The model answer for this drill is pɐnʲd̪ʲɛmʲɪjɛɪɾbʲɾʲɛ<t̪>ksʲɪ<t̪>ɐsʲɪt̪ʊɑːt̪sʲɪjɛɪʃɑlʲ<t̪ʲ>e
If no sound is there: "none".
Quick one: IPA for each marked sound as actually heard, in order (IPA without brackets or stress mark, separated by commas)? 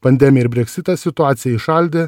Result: none, t̪, d̪ʲ